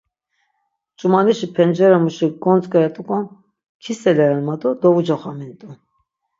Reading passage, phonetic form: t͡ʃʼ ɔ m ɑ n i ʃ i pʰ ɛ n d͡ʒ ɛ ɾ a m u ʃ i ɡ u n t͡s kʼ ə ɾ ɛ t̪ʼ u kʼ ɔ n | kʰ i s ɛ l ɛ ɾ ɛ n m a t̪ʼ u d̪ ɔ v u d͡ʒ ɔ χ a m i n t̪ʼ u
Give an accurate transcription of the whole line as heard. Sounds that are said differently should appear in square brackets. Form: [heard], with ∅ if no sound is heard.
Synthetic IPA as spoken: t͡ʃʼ [u] m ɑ n i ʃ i pʰ ɛ n d͡ʒ ɛ ɾ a m u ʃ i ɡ [ɔ] n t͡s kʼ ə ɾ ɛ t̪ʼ u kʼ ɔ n | kʰ i s ɛ l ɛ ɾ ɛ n m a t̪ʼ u d̪ ɔ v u d͡ʒ ɔ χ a m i n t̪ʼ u